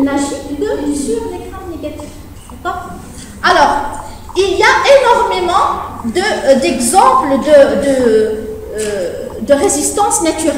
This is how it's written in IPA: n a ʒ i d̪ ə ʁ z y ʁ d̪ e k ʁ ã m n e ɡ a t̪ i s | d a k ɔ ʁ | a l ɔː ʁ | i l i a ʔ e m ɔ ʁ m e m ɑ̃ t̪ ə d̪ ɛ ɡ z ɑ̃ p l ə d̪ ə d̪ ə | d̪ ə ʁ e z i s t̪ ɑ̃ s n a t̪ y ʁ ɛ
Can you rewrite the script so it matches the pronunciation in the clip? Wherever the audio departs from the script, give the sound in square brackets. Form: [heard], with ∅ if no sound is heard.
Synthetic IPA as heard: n a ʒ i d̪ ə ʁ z y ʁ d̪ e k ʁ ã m n e ɡ a t̪ i [f] | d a k ɔ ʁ | a l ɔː ʁ | i l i a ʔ e [n] ɔ ʁ m e m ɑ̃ [d̪] ə d̪ ɛ ɡ z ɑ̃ p l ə d̪ ə d̪ ə | d̪ ə ʁ e z i s t̪ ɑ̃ s n a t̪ y ʁ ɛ